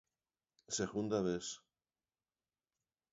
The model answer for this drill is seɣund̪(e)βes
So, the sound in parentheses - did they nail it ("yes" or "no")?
no